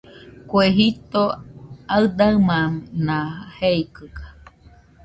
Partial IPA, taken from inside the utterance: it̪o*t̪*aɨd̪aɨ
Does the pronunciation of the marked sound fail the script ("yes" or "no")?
yes